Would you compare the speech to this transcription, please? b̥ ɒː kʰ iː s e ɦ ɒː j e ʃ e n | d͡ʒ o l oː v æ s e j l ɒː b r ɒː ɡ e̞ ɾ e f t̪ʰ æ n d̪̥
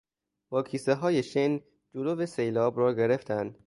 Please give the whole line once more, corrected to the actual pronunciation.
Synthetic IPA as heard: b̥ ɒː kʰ iː s e ɦ ɒː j e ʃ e n | d͡ʒ o l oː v e s e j l ɒː b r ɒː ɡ e̞ ɾ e f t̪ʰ æ n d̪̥